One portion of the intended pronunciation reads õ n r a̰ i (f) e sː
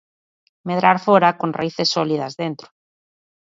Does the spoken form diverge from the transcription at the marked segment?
yes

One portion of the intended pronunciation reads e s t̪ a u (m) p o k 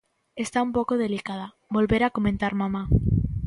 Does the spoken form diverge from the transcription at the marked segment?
no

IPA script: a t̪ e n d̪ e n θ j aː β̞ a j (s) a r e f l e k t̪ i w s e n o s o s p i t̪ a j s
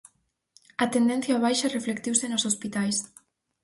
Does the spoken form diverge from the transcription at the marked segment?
yes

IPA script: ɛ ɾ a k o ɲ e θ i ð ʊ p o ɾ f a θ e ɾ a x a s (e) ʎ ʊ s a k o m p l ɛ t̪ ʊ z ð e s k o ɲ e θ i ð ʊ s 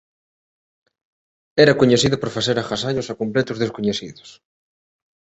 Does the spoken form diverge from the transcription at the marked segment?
yes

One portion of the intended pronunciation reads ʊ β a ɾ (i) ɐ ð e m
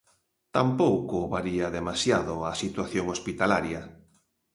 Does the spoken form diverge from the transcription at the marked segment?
no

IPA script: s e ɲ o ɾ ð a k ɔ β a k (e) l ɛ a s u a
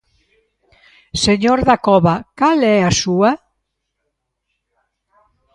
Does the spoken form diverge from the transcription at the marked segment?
yes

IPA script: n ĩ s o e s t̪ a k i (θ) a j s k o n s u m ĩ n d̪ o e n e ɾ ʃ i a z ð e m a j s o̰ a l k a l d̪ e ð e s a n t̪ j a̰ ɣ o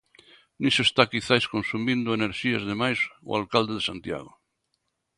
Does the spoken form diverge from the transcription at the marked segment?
no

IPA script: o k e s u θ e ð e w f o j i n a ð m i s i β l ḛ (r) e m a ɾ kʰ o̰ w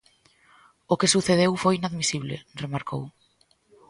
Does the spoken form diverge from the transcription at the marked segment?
no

